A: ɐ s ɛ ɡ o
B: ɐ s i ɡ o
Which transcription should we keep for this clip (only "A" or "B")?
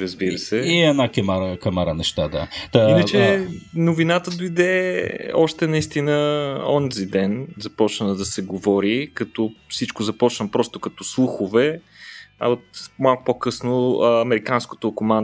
A